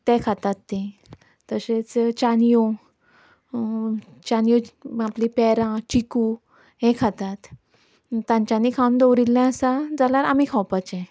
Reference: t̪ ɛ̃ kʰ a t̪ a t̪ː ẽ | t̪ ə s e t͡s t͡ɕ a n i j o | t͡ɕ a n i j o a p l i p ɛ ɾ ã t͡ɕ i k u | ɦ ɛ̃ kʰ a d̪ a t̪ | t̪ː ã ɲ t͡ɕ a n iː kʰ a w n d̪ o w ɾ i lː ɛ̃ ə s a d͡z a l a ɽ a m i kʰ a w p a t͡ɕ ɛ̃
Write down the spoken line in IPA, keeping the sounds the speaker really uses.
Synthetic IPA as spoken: t̪ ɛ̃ kʰ a t̪ a t̪ː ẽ | t̪ ə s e t͡s t͡ɕ a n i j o | t͡ɕ a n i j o a p l i p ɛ ɾ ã t͡ɕ i k u | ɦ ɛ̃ kʰ a t̪ a t̪ | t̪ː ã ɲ t͡ɕ a n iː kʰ a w n d̪ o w ɾ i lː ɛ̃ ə s a d͡z a l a ɾ a m i kʰ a w p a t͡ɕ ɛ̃